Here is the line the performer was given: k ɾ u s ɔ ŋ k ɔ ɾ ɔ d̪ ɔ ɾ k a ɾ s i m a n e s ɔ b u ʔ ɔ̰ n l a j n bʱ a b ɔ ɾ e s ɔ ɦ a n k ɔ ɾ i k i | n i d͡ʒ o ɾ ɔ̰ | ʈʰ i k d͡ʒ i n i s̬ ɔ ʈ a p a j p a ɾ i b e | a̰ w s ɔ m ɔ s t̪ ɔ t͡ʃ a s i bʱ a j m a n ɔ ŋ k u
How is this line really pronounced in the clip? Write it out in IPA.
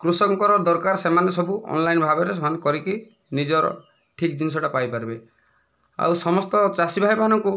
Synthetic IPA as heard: k ɾ u s ɔ ŋ k ɔ ɾ ɔ d̪ ɔ ɾ k a ɾ s e m a n e s ɔ b u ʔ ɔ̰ n l a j n bʱ a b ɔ ɾ e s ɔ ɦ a n k ɔ ɾ i k i | n i d͡ʒ ɔ ɾ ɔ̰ | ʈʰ i k d͡ʒ i n i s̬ ɔ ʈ a p a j p a ɾ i b e | a̰ w s ɔ m ɔ s t̪ ɔ t͡ʃ a s i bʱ a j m a n ɔ ŋ k u